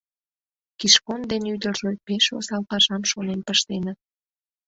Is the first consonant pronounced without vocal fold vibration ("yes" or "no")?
yes